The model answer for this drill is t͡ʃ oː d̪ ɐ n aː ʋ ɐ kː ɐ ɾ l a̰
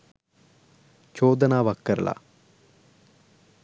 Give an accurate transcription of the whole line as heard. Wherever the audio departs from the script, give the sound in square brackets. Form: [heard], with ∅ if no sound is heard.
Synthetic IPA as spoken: t͡ʃ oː d̪ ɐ n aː ʋ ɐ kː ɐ ɾ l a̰